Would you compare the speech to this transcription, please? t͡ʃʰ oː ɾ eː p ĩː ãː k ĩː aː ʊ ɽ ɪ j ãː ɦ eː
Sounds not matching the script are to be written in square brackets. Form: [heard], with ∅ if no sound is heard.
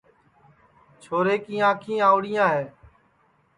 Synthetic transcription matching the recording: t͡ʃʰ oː ɾ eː [k] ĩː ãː [kʰ] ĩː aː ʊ ɽ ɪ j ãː ɦ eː